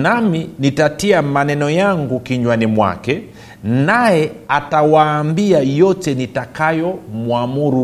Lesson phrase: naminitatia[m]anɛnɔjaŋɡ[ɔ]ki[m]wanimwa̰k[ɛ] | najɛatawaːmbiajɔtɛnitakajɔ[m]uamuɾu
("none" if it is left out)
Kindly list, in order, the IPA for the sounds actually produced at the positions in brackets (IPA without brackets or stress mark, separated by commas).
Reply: m, u, ɲ, ɛ, m